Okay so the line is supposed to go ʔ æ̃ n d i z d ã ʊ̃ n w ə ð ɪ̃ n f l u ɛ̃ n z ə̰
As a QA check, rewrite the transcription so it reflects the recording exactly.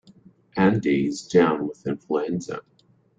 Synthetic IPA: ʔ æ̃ n d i z d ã ʊ̃ n w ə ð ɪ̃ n f l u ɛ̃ n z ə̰